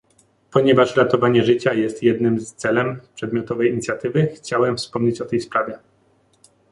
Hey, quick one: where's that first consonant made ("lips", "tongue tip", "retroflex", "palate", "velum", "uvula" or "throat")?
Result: lips